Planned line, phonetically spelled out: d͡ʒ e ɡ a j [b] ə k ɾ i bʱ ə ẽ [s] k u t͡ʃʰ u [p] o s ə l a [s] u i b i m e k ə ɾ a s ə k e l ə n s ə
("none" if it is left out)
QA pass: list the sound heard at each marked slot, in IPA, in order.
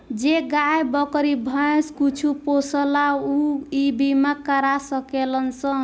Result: b, s, p, none

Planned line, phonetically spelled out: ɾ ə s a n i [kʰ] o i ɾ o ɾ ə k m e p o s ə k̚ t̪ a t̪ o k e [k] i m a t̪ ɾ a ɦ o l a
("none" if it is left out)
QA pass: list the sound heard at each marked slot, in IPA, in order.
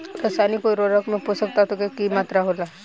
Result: k, k

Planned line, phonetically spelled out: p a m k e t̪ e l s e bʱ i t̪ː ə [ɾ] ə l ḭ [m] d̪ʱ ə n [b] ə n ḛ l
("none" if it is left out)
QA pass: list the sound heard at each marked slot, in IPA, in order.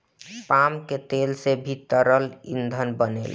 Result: ɾ, n, b

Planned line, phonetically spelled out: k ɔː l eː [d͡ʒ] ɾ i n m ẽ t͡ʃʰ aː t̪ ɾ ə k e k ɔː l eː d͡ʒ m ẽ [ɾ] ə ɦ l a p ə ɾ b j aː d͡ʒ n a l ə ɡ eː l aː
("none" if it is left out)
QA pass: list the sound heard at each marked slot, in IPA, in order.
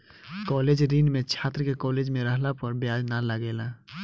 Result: d͡ʒ, ɾ

